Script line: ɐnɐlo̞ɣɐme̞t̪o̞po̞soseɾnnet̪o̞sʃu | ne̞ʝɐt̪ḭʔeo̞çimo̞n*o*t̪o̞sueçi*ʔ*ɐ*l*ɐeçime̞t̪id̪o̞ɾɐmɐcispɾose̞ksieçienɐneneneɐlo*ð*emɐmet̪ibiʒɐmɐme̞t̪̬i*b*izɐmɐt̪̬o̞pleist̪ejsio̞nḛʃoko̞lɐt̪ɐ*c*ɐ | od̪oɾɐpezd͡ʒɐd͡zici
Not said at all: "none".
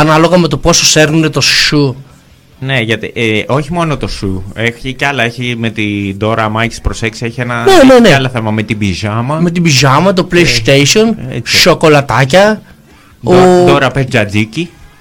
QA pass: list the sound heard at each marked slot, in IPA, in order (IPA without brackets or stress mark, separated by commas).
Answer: o, c, l, θ, b, c